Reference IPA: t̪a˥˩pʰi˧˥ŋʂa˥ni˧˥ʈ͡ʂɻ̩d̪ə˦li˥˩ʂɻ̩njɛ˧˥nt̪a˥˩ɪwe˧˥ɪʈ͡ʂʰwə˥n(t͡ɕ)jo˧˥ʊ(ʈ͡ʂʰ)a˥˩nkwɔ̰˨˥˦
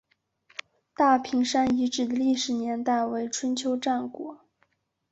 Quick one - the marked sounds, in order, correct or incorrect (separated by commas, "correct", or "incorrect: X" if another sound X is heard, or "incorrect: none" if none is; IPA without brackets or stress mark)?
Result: incorrect: t͡ɕʰ, incorrect: ʈ͡ʂ